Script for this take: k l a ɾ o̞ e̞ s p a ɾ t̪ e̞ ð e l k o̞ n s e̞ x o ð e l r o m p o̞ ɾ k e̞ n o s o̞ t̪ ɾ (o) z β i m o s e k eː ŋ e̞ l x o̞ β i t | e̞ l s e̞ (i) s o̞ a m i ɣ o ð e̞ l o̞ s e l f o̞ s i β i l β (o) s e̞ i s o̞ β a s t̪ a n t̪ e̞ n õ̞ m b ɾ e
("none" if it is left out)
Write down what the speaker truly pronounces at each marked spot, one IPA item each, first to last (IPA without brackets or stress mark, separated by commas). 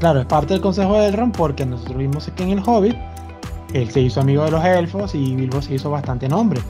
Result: o, i, o